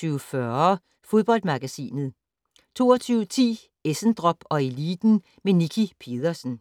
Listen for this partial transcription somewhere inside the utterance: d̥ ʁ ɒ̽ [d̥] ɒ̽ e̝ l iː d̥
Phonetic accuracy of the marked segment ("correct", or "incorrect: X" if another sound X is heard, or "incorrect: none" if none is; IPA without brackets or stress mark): incorrect: b̥